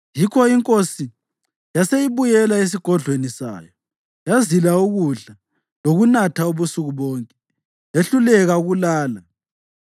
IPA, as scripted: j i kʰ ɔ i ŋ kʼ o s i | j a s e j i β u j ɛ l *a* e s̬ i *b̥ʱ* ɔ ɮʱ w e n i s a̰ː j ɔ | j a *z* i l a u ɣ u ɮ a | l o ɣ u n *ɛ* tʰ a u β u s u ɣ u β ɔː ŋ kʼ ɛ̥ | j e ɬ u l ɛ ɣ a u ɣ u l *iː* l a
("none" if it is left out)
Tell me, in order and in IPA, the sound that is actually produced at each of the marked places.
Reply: a, ɡ̥ʱ, z, a, aː

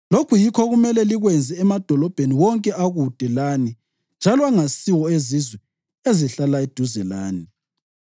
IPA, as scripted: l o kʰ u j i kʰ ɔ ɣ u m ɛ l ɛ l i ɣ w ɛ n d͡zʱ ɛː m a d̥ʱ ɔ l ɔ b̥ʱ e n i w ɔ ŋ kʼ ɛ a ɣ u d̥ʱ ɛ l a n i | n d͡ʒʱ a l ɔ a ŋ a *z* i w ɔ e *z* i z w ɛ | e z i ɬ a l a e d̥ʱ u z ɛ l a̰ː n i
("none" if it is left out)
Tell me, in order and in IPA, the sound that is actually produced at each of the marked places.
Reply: s, z

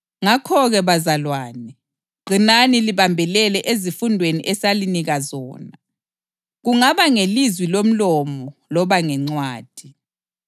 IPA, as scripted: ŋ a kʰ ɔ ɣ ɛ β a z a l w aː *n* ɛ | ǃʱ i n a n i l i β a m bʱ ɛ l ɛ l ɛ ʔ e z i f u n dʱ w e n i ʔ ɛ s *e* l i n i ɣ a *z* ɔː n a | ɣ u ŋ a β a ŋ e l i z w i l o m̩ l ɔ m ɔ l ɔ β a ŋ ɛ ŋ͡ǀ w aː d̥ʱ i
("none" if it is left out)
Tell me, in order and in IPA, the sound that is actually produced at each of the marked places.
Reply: n, a, z

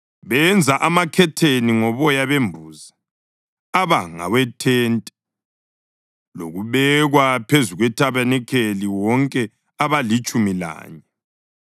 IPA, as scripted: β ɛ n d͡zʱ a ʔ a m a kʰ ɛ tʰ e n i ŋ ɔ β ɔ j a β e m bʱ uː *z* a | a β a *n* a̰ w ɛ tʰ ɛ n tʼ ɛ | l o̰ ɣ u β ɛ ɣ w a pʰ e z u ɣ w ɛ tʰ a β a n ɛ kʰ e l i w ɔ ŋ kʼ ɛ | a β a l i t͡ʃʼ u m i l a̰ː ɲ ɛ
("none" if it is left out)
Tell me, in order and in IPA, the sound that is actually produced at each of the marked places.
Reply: z, ŋ

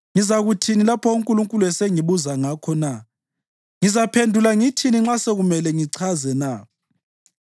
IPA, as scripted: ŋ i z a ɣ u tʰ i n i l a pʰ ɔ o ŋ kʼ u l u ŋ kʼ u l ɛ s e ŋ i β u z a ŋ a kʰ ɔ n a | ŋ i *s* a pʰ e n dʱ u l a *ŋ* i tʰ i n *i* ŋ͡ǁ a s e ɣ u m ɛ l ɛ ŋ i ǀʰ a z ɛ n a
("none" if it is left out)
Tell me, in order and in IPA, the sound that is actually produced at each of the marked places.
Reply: z, ŋ, i

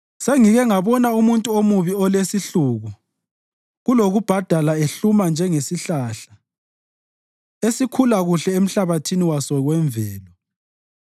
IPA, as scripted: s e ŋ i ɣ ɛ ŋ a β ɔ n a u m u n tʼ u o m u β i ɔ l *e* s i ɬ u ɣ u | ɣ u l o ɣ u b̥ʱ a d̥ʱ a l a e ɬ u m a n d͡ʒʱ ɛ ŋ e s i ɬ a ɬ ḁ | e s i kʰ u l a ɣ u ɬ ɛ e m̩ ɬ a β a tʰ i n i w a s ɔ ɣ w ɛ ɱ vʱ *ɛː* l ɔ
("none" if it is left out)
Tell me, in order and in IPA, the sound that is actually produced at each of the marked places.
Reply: e, ɛː

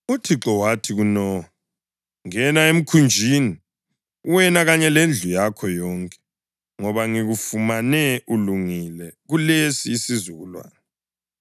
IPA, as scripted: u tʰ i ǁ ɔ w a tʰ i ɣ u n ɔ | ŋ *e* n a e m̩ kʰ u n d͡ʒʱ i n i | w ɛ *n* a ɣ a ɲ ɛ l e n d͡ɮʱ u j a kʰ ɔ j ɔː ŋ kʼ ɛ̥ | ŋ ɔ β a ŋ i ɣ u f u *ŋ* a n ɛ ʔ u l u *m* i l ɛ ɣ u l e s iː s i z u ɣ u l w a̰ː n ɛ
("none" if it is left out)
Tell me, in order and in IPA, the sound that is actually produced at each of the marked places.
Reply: ɛ, n, m, ŋ

